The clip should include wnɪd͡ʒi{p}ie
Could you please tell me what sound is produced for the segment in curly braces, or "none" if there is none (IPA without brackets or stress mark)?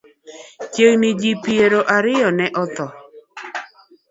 p